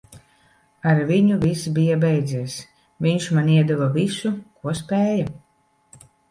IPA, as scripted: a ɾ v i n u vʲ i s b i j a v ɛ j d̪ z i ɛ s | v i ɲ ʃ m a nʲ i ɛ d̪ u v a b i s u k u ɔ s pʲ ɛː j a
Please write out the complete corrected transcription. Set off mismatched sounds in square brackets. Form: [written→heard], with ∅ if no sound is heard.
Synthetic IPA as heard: a ɾ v i [n→ɲ] u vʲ i s b i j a [v→b] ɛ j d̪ z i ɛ s | v i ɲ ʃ m a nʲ i ɛ d̪ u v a [b→v] i s u k u ɔ s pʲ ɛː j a